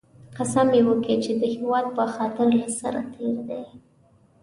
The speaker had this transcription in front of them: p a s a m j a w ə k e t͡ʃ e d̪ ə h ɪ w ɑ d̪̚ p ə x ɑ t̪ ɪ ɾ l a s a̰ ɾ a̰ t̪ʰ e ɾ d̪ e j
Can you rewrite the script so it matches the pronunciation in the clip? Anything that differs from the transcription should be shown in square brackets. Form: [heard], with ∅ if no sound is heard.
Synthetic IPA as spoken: [q] a s a m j [e] w ə k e t͡ʃ e d̪ ə h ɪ w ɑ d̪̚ p ə x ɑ t̪ ɪ ɾ l a s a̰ ɾ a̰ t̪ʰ e ɾ d̪ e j